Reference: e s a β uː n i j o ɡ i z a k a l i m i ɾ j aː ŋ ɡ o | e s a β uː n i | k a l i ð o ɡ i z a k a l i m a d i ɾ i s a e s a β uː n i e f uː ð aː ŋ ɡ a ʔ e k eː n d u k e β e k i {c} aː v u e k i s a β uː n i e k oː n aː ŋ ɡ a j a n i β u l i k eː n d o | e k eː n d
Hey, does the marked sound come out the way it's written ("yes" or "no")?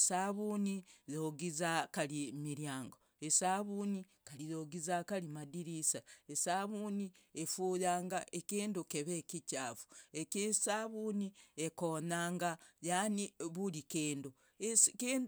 yes